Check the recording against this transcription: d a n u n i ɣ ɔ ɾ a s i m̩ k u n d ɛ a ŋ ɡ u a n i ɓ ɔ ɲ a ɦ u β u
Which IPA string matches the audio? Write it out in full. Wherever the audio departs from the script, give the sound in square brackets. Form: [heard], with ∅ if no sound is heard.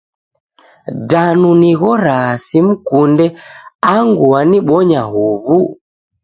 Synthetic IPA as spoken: d a n u n i ɣ ɔ ɾ a s i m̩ k u n d ɛ a ŋ ɡ u a n i ɓ ɔ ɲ a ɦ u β u